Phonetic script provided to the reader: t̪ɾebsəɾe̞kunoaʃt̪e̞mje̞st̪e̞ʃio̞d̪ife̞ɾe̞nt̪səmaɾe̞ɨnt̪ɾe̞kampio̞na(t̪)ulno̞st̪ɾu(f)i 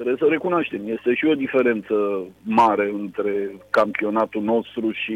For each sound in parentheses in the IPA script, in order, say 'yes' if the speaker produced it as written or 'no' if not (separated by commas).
yes, no